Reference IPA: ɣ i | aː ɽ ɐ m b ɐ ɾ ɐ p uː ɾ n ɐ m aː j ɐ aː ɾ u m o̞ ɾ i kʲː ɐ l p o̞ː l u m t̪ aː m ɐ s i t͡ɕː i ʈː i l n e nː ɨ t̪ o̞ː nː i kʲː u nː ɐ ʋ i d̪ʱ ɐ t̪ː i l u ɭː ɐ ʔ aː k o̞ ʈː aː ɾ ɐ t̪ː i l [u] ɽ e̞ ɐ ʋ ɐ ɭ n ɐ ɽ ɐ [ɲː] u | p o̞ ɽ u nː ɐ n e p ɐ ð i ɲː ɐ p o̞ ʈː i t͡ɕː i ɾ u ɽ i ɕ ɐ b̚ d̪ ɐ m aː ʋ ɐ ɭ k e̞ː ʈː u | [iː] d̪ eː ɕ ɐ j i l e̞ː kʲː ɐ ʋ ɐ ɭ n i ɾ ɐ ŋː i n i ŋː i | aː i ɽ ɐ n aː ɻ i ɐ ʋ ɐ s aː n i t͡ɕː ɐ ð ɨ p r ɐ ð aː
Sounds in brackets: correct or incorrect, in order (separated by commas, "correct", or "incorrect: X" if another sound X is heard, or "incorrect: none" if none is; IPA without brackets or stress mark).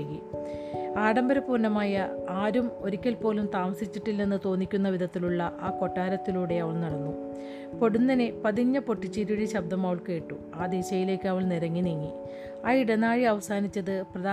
incorrect: uː, incorrect: nː, incorrect: aː